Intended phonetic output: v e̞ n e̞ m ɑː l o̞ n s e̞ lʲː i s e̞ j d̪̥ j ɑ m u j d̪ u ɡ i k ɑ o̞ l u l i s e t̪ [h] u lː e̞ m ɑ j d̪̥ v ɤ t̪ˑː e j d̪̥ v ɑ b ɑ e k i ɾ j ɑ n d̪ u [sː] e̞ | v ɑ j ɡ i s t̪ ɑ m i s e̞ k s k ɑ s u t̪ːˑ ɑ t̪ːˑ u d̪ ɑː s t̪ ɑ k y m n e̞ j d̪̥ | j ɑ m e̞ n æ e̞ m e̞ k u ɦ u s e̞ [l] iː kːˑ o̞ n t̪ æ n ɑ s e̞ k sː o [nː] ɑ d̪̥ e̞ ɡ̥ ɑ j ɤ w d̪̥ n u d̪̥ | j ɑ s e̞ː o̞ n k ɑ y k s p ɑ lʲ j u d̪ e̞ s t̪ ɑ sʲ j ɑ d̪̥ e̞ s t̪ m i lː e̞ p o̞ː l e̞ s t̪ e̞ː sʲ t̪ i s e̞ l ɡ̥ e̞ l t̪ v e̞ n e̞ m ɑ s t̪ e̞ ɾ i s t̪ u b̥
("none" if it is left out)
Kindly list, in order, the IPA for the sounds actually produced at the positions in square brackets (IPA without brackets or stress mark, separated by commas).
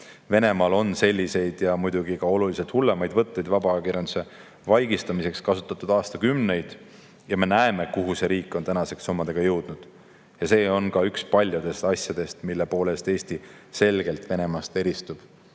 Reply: h, s, ɾ, mː